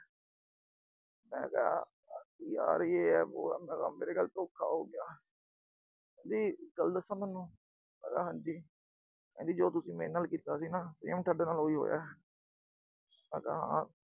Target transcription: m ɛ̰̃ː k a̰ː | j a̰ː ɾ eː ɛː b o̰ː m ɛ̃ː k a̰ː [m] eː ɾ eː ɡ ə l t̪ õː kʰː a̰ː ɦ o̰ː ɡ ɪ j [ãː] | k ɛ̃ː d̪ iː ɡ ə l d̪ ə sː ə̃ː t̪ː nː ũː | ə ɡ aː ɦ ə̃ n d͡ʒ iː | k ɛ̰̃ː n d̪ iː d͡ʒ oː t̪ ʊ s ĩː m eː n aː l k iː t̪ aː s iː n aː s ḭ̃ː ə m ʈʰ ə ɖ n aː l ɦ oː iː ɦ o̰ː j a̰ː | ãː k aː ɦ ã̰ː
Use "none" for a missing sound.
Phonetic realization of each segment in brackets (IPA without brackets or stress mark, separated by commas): m, aː